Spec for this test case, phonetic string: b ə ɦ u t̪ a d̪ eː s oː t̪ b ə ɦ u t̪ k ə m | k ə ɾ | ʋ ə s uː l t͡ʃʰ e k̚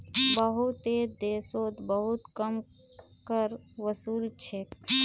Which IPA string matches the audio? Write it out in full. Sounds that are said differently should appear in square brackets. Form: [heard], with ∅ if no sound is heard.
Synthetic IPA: b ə ɦ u t̪ [e] d̪ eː s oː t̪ b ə ɦ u t̪ k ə m | k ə ɾ | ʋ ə s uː l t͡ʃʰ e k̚